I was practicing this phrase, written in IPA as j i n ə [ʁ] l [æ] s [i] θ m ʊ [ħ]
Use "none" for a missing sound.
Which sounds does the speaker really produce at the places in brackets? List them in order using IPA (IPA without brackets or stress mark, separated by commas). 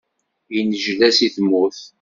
ʒ, æ, i, θ